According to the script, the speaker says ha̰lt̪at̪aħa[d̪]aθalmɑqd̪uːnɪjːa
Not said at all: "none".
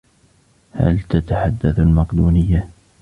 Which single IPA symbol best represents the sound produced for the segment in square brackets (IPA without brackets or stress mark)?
d̪ː